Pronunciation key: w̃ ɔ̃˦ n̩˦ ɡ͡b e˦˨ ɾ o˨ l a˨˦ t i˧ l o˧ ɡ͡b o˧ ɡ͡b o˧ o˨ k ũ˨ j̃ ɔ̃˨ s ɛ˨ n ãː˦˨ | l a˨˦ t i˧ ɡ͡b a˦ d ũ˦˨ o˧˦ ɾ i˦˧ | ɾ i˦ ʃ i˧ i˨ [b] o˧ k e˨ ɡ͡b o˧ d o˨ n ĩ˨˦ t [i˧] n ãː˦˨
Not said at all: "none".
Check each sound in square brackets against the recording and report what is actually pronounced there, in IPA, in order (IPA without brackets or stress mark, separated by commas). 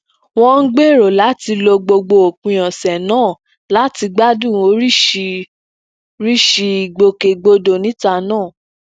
ɡ͡b, a˧